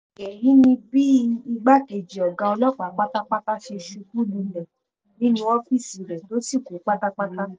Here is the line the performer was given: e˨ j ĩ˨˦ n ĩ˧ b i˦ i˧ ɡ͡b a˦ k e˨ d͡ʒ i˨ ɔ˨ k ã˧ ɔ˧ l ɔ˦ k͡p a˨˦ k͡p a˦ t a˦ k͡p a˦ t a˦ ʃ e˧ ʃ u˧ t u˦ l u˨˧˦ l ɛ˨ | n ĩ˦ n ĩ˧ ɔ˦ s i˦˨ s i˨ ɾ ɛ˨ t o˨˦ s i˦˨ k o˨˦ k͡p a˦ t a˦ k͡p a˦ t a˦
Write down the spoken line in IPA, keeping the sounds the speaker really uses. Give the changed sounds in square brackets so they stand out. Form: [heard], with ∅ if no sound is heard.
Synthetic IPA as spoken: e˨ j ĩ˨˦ n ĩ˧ b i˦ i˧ ɡ͡b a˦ k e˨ d͡ʒ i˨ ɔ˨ [ɡ] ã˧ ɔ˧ l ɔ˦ k͡p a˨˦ k͡p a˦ t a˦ k͡p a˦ t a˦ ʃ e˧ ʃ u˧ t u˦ l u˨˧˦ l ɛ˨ | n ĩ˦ n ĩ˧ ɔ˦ [f] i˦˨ s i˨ ɾ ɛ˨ t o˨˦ s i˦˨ k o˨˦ k͡p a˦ t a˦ k͡p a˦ t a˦

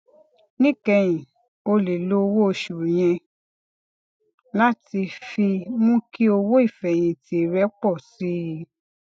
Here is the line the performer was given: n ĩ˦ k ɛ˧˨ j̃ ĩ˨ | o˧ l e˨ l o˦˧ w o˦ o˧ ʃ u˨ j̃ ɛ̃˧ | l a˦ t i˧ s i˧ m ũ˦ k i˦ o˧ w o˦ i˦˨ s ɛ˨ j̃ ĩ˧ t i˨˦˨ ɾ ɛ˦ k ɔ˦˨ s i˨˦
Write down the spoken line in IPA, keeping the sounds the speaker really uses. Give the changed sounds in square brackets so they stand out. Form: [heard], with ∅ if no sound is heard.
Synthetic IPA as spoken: n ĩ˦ k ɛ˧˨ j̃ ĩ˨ | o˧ l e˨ l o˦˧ w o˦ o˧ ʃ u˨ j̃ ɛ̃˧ | l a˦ t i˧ [f] i˧ m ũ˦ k i˦ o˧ w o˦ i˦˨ [f] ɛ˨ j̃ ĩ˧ t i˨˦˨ ɾ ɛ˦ [k͡p] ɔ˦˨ s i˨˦

